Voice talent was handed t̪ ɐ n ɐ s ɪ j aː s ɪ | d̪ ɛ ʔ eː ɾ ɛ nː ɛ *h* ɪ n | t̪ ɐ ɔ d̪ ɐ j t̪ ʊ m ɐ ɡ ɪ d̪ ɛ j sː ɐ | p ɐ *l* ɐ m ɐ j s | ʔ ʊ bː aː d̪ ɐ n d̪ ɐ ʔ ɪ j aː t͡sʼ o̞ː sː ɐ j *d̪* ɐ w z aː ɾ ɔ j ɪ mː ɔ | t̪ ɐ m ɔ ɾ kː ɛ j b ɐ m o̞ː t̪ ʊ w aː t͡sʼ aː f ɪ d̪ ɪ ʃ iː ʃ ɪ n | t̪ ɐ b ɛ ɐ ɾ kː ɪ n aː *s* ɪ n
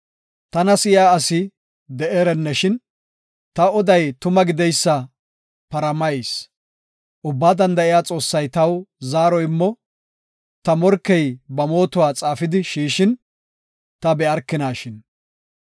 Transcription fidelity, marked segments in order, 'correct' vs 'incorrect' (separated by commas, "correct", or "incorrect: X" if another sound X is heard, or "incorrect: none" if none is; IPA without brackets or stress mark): incorrect: ʃ, incorrect: ɾ, incorrect: t̪, incorrect: ʃ